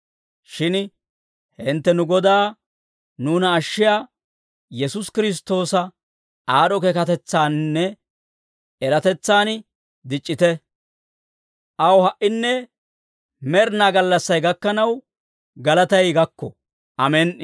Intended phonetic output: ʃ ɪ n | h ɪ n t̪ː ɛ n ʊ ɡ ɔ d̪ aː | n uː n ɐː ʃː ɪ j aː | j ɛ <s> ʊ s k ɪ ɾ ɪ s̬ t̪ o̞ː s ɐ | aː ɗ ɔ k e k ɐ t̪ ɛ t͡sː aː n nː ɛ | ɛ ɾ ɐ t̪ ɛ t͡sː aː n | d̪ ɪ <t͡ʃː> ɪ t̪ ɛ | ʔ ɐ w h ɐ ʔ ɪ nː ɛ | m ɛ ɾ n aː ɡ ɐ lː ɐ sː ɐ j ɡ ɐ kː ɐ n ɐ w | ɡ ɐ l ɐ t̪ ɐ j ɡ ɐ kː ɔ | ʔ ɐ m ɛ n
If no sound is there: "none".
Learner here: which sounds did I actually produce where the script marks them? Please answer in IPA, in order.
s, t͡ʃʼː

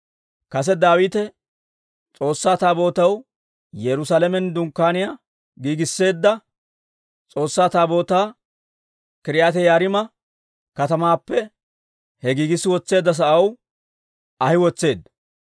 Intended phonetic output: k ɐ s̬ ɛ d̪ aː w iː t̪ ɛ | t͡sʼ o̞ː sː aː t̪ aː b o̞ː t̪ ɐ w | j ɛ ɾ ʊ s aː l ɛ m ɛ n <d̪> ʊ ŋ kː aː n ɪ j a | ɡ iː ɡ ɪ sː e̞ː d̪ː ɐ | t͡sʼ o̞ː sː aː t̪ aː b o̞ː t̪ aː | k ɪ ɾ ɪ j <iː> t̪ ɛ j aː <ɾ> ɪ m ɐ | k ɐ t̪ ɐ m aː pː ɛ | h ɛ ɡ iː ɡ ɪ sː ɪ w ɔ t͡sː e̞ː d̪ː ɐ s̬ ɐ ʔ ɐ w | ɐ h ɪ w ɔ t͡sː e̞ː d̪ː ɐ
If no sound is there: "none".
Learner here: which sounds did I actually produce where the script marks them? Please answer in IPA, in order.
d̪, aː, ɾ

